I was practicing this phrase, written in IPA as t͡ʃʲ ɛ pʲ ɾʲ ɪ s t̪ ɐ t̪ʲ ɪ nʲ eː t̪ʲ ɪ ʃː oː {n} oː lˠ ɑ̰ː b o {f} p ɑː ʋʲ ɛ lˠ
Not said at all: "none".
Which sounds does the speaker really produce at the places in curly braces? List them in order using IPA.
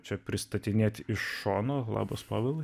n, s

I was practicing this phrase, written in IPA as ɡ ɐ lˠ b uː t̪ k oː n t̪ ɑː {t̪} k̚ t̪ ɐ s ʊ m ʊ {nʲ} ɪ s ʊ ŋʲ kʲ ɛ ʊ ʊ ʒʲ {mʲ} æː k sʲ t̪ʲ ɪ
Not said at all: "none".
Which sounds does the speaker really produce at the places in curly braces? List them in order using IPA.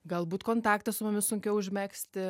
none, mʲ, mʲ

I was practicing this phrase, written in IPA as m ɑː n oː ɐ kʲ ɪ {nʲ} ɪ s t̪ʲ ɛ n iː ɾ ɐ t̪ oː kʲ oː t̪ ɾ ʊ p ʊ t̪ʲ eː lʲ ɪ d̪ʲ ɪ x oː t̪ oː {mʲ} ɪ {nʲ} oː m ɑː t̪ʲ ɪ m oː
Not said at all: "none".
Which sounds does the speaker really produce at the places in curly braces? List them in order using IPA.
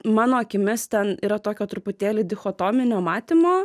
mʲ, mʲ, nʲ

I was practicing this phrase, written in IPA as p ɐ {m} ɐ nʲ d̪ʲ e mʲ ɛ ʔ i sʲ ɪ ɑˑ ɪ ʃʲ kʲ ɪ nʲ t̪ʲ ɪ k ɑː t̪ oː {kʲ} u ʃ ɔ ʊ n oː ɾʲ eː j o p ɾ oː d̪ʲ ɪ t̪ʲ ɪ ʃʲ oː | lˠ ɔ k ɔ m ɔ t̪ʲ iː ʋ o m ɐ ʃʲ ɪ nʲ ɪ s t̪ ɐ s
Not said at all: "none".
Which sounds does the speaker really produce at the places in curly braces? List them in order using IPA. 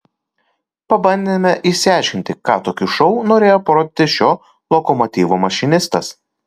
b, kʲ

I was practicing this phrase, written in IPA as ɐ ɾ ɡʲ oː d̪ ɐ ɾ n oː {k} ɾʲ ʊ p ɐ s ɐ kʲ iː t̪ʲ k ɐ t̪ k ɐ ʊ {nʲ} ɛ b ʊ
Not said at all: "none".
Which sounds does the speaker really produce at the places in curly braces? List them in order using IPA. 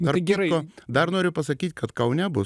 none, nʲ

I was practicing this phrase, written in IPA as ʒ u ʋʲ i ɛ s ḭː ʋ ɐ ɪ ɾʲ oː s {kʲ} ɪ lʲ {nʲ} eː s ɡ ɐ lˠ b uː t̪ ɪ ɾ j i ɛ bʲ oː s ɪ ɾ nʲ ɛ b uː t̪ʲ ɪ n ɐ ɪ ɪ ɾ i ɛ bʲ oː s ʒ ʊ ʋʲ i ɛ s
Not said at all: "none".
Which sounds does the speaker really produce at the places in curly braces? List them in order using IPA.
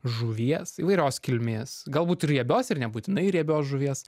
kʲ, mʲ

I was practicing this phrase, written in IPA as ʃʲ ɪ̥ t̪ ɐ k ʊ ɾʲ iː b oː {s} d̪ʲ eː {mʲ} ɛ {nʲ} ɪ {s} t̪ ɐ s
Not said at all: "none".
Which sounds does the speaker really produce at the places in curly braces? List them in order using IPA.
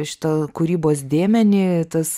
s, mʲ, nʲ, none

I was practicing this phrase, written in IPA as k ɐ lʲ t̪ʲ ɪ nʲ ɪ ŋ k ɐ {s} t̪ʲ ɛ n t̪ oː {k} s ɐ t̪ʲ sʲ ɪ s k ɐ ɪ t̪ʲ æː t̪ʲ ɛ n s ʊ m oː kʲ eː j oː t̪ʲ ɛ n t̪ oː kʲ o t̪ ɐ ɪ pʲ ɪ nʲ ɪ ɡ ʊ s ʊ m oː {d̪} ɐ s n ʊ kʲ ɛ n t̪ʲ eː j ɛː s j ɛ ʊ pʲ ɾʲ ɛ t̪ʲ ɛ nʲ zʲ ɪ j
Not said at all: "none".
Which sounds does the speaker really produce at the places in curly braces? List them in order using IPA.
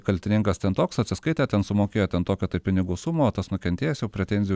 s, k, t̪

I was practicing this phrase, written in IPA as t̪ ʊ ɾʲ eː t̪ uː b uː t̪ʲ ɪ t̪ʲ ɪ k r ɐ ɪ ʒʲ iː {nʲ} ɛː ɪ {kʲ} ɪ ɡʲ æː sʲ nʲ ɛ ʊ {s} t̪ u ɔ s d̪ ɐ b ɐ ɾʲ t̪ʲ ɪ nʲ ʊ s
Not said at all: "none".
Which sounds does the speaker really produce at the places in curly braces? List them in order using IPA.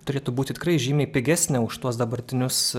mʲ, pʲ, ʃ

